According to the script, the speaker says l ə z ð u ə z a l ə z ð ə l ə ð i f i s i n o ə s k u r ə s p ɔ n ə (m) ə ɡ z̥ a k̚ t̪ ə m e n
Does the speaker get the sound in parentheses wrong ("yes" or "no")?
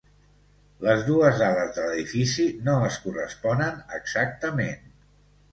yes